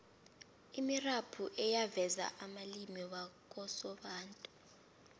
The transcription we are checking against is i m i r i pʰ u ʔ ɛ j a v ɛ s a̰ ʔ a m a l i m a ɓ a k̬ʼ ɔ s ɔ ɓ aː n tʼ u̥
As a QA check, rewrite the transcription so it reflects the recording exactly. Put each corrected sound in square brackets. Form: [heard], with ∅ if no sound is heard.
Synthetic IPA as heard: i m i r [a] pʰ u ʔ ɛ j a v ɛ [z] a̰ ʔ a m a l i m [i] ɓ a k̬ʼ ɔ s ɔ ɓ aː n tʼ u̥